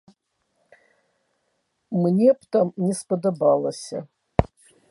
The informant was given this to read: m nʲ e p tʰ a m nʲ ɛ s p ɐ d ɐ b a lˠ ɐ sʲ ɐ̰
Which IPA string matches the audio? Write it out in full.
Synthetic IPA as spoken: m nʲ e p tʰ a m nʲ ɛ s p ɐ d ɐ b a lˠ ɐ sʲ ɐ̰